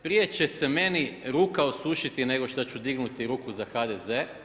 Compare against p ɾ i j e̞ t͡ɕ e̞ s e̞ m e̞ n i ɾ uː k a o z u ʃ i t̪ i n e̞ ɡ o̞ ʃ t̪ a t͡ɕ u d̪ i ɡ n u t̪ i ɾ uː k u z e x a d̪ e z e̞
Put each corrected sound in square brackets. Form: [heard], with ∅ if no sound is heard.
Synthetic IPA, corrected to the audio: p ɾ i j e̞ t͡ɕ e̞ s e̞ m e̞ n i ɾ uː k a o [s] u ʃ i t̪ i n e̞ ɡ o̞ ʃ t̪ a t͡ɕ u d̪ i ɡ n u t̪ i ɾ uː k u z [a] x a d̪ e z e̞

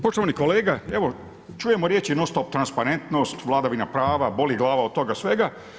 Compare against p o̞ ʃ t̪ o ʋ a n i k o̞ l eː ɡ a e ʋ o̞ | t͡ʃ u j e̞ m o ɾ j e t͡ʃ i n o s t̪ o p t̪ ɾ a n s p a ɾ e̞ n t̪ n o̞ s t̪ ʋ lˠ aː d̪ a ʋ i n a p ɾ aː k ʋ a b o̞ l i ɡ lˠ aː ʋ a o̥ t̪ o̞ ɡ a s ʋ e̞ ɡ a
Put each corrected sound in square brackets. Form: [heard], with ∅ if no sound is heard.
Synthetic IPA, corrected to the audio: p o̞ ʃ t̪ o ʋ a n i k o̞ l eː ɡ a e ʋ o̞ | t͡ʃ u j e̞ m o ɾ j e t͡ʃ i n o s t̪ o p t̪ ɾ a n s p a ɾ e̞ n t̪ n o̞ s t̪ ʋ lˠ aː d̪ a ʋ i n a p ɾ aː [∅] ʋ a b o̞ l i ɡ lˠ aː ʋ a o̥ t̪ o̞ ɡ a s ʋ e̞ ɡ a

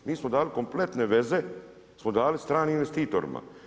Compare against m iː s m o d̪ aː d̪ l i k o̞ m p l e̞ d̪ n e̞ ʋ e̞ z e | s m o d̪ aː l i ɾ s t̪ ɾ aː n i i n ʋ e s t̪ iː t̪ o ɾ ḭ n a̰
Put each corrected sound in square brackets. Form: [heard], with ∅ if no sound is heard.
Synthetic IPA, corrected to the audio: m iː s m o d̪ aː [∅] l i k o̞ m p l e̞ [t̪] n e̞ ʋ e̞ z e | s m o d̪ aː l i [∅] s t̪ ɾ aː n i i n ʋ e s t̪ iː t̪ o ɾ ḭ [m] a̰

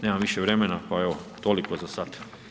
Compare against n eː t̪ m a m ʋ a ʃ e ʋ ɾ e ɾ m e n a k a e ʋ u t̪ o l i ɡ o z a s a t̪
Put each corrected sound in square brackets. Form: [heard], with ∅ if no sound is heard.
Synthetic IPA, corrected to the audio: n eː [∅] m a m ʋ [i] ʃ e ʋ ɾ e [∅] m e n a [p] a e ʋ [o] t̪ o l i [k] o z a s a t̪

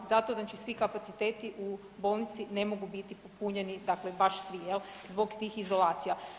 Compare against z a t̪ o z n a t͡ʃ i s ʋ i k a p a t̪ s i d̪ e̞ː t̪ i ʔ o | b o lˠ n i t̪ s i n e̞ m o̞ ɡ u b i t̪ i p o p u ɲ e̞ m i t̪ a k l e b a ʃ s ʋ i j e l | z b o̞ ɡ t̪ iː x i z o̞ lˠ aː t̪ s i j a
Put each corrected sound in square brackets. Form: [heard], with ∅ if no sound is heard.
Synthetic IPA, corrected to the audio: z a t̪ o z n a t͡ʃ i s ʋ i k a p a t̪ s i [t̪] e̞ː t̪ i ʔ [u] | b o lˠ n i t̪ s i n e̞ m o̞ ɡ u b i t̪ i p o p u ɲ e̞ [n] i [d̪] a k l e b a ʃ s ʋ i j e l | z b o̞ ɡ t̪ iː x i z o̞ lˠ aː t̪ s i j a

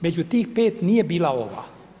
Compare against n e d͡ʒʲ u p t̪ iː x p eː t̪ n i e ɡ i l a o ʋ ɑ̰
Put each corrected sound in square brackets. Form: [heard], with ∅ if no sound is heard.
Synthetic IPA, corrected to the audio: [m] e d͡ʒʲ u [∅] t̪ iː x p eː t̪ n i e [b] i l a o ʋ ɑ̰

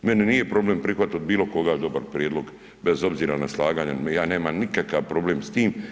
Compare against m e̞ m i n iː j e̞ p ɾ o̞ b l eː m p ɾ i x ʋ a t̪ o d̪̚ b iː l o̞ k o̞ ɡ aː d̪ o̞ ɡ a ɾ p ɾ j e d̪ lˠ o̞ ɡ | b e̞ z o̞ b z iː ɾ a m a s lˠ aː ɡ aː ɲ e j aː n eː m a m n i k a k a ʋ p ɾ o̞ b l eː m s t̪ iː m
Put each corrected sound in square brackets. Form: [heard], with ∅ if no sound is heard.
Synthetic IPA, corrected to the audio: m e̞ [n] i n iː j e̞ p ɾ o̞ b l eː m p ɾ i x ʋ a t̪ o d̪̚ b iː l o̞ k o̞ ɡ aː d̪ o̞ [b] a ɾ p ɾ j e d̪ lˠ o̞ ɡ | b e̞ z o̞ b z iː ɾ a [n] a s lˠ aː ɡ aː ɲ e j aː n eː m a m n i k a k a ʋ p ɾ o̞ b l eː m s t̪ iː m

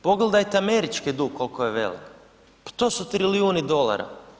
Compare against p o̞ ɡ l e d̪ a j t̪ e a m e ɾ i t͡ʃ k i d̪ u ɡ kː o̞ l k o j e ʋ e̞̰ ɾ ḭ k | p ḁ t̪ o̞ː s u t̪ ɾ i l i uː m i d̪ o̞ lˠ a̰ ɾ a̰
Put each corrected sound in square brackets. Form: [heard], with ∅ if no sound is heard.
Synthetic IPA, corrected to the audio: p o̞ ɡ l e d̪ a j t̪ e a m e ɾ i t͡ʃ k i d̪ u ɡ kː o̞ l k o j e ʋ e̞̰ [l] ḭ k | p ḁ t̪ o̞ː s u t̪ ɾ i l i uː [n] i d̪ o̞ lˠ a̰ ɾ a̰

